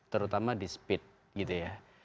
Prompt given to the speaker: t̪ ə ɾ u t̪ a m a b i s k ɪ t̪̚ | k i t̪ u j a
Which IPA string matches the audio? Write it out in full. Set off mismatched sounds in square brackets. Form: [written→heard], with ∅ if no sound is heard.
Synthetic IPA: t̪ ə ɾ u t̪ a m a [b→d] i s [k→p] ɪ t̪̚ | [k→ɡ] i t̪ u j a